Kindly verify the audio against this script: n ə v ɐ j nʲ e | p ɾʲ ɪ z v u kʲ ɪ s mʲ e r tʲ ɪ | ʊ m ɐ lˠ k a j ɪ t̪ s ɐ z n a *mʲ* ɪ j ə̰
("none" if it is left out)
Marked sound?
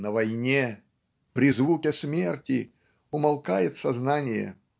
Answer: nʲ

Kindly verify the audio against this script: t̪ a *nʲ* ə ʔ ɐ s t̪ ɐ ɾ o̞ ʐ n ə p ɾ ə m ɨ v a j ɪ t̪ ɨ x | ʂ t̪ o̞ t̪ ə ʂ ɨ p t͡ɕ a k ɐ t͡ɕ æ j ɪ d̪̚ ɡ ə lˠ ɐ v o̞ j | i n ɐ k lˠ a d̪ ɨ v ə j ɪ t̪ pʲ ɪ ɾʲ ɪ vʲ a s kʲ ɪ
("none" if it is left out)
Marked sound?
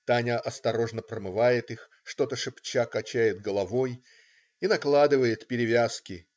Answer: nʲ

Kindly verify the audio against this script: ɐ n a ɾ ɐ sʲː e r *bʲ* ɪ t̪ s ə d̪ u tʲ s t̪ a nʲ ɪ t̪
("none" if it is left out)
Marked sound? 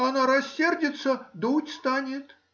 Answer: dʲ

